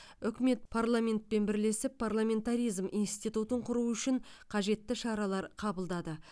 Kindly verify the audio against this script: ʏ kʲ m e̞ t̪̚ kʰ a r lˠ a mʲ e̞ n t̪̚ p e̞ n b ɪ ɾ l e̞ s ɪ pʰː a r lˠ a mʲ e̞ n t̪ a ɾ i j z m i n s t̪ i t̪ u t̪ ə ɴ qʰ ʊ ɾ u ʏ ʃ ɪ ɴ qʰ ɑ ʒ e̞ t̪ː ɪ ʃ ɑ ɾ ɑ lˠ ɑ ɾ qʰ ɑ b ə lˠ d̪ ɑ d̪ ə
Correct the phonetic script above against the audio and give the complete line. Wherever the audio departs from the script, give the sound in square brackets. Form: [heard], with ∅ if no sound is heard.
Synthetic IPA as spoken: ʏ kʲ m e̞ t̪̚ [pʰ] a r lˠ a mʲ e̞ n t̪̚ p e̞ n b ɪ ɾ l e̞ s ɪ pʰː a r lˠ a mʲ e̞ n t̪ a ɾ i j z m i n s t̪ i t̪ u t̪ ə ɴ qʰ ʊ ɾ u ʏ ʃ ɪ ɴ qʰ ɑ ʒ e̞ t̪ː ɪ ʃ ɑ ɾ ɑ lˠ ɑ ɾ qʰ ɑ b ə lˠ d̪ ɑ d̪ ə